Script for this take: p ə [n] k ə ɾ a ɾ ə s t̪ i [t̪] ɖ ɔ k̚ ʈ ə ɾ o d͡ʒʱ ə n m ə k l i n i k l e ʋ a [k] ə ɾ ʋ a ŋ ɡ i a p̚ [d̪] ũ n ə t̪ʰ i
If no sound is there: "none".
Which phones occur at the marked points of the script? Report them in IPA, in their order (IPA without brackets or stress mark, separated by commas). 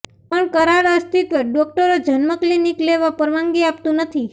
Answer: ɳ, t̪, p, t̪